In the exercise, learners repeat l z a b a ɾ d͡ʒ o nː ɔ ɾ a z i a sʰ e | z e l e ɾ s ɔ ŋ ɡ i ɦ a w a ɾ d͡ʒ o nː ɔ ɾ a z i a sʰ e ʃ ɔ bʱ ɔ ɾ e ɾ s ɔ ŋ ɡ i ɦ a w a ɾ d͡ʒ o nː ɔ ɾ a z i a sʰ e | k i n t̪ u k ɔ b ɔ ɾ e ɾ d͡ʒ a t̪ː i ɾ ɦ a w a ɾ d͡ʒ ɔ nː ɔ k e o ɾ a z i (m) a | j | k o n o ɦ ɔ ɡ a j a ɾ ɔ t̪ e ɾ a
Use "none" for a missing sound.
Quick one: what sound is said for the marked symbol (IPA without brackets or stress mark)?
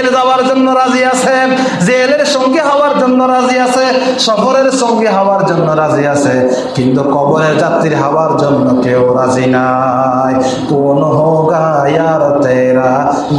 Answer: n